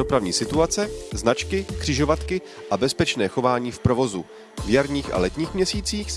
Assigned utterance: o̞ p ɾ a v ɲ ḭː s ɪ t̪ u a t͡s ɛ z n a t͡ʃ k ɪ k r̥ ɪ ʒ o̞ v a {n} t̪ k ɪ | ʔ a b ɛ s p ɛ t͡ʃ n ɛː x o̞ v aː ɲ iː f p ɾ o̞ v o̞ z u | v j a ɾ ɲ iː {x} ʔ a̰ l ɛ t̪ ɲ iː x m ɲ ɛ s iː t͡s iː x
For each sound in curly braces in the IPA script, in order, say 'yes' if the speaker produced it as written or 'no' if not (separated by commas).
no, yes